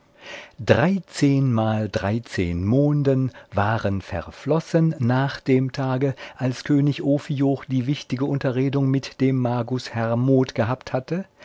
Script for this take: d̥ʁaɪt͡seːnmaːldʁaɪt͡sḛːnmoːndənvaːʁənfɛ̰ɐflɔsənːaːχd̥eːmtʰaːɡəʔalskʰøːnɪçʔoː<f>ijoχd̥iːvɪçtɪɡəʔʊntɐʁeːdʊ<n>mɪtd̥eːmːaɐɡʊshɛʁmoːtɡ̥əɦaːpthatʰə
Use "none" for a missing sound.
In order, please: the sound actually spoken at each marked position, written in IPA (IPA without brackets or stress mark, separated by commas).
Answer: f, ŋ